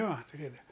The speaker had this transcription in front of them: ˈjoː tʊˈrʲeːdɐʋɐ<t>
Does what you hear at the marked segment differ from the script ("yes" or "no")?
yes